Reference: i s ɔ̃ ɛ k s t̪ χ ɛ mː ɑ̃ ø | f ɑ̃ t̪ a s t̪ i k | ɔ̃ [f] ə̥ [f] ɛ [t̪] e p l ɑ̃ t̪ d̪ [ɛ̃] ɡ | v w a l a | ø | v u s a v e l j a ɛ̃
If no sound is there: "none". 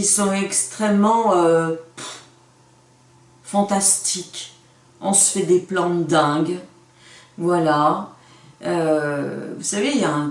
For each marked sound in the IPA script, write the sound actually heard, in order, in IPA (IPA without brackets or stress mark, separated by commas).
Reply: s, f, d̪, ɛ̃